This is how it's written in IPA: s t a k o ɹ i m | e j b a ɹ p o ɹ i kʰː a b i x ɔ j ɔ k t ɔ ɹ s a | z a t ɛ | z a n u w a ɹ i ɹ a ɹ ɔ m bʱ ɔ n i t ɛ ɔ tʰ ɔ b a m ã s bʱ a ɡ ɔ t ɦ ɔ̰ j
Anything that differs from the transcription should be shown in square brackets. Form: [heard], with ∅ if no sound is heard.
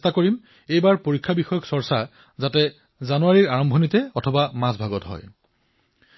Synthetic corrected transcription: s t a k o ɹ i m | e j b a ɹ p o ɹ i kʰː a b i x ɔ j ɔ k [s] ɔ ɹ s a | z a t ɛ | z a n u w a ɹ i ɹ a ɹ ɔ m bʱ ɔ n i t ɛ ɔ tʰ ɔ b a m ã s bʱ a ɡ ɔ t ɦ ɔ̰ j